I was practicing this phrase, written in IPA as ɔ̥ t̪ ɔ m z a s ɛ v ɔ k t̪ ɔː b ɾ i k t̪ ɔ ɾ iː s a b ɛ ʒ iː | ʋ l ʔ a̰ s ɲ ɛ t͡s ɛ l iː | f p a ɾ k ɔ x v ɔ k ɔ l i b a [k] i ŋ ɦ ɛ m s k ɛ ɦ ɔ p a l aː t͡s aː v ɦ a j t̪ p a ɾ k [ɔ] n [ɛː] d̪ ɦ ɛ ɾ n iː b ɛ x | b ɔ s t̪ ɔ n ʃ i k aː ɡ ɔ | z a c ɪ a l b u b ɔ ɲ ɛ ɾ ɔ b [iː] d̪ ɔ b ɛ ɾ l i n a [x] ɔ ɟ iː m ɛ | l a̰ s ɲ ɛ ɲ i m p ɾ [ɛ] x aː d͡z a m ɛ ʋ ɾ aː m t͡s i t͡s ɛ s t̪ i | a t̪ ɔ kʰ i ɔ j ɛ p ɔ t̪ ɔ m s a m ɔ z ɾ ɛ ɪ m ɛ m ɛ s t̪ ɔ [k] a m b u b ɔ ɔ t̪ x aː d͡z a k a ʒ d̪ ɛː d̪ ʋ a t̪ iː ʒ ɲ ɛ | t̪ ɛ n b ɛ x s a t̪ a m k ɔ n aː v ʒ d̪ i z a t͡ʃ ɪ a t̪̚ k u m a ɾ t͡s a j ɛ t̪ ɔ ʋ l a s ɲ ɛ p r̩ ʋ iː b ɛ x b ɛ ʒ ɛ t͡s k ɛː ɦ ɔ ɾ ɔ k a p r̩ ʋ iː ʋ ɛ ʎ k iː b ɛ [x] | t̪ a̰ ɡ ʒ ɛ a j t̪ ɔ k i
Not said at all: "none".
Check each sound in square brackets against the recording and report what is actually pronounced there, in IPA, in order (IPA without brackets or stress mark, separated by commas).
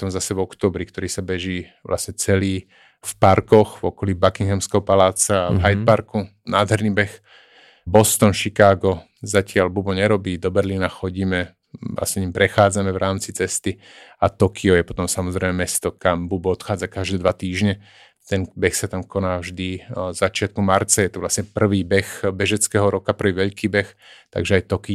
k, u, aː, iː, x, ɛ, k, x